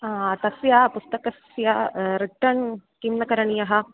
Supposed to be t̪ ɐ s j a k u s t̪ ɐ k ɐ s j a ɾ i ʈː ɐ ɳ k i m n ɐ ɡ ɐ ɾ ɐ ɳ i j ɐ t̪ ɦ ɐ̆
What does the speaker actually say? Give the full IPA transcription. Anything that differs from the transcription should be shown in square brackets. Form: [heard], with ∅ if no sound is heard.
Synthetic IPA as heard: t̪ ɐ s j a [p] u s t̪ ɐ k ɐ s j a ɾ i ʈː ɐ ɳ k i m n ɐ [k] ɐ ɾ ɐ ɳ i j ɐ [∅] ɦ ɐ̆